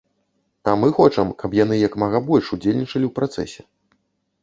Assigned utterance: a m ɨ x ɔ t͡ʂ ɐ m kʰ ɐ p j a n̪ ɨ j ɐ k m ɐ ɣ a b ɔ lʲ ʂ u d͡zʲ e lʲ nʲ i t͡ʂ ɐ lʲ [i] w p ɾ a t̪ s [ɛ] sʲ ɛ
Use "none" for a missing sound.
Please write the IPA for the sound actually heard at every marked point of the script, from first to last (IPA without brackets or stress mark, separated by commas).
i, ɛ